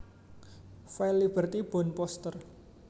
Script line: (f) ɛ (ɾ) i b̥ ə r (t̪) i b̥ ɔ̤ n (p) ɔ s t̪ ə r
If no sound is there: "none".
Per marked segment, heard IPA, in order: f, l, t̪, p

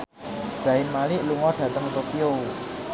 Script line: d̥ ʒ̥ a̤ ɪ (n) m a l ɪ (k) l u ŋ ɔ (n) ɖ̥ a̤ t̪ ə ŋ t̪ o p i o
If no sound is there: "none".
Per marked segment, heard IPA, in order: n, ʔ, none

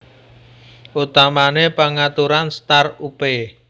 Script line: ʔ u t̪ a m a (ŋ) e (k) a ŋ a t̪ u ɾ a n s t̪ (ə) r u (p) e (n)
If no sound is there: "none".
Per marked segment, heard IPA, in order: n, p, a, p, none

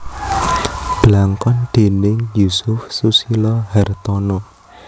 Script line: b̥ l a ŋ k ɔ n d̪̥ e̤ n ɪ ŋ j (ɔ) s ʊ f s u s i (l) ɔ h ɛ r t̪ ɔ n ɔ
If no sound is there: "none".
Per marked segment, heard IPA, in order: u, l

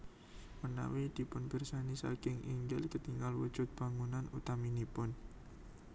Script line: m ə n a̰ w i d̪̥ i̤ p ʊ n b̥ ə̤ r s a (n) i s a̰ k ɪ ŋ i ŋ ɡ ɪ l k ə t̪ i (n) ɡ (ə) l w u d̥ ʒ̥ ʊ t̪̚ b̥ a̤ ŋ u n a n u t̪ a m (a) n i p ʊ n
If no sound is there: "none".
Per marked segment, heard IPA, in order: n, ŋ, a, i

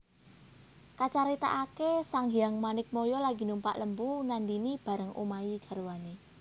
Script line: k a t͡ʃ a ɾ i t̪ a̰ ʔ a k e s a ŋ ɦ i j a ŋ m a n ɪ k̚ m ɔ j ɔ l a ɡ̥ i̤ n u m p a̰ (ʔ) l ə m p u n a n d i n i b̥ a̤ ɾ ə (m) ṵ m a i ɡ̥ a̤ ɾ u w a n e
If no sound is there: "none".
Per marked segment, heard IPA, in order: ʔ, ŋ

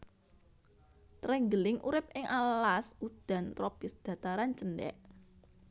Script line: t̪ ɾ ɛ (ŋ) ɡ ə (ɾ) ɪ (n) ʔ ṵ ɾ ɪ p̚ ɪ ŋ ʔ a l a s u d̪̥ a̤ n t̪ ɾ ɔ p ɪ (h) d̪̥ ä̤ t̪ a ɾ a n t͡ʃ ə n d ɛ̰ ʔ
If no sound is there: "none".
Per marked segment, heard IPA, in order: ŋ, l, ŋ, s

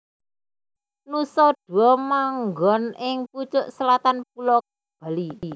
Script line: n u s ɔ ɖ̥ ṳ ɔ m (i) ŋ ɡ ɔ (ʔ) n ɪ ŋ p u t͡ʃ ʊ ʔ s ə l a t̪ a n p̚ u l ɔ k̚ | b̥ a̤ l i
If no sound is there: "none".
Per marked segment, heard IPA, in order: a, none

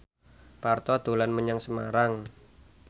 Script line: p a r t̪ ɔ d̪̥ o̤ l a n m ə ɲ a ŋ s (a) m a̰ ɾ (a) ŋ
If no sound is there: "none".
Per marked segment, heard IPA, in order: ə, a

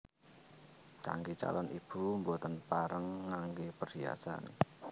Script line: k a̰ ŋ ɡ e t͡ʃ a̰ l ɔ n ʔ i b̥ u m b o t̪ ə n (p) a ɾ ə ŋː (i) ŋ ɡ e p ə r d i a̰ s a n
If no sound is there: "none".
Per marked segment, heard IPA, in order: p, a

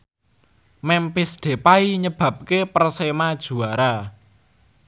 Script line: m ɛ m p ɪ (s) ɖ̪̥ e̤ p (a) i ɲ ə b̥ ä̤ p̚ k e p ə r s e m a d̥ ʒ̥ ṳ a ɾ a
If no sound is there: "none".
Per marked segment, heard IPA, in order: s, a

